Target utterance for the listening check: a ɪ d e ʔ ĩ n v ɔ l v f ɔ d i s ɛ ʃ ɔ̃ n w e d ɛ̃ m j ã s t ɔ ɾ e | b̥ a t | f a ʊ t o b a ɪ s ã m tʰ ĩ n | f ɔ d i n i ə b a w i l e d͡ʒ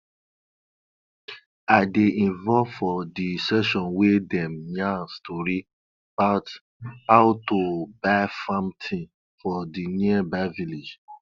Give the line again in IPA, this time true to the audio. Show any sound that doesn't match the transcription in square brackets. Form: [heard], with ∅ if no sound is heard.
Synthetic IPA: a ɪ d e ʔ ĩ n v ɔ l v f ɔ d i s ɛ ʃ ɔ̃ n w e d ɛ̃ m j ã s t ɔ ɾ [i] | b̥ a t | [h] a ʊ t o b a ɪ [f] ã m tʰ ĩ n | f ɔ d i n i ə b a [v] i l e d͡ʒ